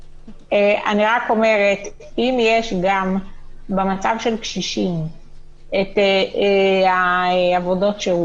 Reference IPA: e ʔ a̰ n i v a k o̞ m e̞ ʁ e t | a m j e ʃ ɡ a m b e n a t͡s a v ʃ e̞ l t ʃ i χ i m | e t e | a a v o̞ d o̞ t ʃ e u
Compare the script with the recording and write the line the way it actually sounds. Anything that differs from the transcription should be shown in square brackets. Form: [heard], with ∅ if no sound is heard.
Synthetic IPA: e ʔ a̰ n i [ʁ] a k o̞ m e̞ ʁ e t | [i] m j e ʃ ɡ a m b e [m] a t͡s a v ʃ e̞ l [k] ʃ i [ʃ] i m | e t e | a a v o̞ d o̞ t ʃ e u